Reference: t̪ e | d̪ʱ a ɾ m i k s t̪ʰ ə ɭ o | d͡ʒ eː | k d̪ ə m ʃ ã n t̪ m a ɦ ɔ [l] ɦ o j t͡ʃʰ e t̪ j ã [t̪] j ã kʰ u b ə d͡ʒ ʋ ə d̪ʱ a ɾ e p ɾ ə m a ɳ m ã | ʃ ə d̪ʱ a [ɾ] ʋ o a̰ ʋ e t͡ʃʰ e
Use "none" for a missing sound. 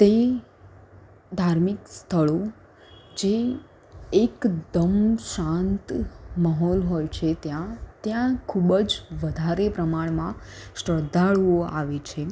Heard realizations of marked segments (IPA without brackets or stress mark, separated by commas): l, t̪, ɭ